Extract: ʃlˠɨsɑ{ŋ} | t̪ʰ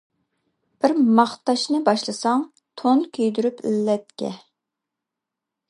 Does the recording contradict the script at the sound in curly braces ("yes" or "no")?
no